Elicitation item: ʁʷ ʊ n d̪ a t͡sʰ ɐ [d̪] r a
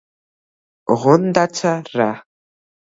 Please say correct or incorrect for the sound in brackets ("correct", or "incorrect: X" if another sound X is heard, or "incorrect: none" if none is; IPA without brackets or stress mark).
incorrect: none